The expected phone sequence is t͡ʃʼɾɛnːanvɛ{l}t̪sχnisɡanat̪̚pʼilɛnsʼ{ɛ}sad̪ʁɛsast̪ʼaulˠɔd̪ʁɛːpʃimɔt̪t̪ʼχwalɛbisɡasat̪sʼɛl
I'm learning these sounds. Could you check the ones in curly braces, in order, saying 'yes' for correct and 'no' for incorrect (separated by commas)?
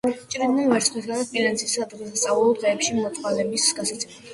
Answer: no, no